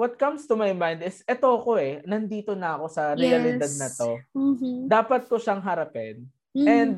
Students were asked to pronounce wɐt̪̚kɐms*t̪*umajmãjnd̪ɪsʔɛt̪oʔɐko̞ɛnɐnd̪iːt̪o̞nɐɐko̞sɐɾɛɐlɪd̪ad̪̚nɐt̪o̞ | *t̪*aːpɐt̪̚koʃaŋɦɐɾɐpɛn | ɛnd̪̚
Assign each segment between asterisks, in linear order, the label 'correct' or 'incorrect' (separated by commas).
correct, incorrect